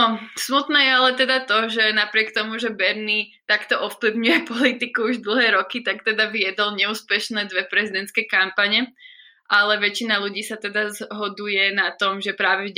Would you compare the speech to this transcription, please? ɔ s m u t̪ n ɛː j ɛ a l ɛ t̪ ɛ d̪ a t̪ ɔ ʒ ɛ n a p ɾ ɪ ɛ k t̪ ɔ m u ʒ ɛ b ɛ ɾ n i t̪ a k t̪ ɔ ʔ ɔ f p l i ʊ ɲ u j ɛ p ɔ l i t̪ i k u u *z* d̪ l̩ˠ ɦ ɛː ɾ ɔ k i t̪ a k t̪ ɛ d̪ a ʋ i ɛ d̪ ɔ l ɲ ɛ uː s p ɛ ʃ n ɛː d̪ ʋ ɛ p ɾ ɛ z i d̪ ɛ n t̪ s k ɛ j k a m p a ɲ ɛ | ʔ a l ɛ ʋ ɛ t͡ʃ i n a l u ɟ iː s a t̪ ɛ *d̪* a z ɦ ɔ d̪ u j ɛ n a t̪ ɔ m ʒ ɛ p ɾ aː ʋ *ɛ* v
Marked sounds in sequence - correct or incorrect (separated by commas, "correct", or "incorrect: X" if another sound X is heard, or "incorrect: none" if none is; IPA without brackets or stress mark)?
incorrect: ʒ, correct, correct